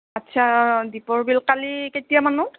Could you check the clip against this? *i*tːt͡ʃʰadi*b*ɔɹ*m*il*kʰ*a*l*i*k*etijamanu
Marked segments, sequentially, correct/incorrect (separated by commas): incorrect, incorrect, incorrect, incorrect, correct, correct